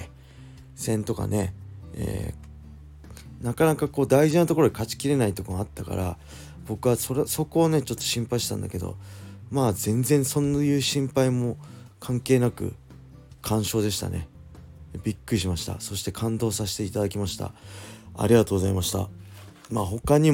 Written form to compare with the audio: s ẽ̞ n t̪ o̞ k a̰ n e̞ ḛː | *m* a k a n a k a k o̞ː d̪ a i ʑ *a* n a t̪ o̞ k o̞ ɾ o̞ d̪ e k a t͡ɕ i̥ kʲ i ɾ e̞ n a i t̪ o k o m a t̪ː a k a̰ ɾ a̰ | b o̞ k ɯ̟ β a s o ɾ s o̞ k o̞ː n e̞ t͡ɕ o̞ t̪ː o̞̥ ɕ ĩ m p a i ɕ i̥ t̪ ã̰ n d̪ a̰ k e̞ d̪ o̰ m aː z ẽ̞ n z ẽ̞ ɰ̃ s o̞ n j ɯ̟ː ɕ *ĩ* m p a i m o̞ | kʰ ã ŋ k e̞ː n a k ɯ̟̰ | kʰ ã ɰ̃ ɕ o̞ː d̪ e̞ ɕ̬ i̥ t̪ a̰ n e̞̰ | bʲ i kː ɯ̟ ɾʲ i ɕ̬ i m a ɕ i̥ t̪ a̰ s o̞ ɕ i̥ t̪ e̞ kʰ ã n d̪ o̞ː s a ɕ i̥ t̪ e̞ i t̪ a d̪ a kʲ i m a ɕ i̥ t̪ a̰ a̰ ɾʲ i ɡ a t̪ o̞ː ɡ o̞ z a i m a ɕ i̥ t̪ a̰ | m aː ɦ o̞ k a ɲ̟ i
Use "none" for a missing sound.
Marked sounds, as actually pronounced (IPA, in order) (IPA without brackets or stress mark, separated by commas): n, i, ĩ